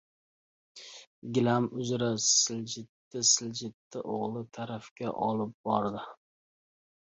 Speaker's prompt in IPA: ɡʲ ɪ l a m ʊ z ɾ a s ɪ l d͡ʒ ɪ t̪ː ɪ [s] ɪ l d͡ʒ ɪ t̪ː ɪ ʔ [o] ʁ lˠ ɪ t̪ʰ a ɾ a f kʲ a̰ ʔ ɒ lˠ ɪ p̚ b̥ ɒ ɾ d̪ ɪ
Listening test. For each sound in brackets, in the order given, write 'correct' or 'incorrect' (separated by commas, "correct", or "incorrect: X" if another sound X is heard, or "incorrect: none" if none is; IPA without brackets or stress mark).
correct, correct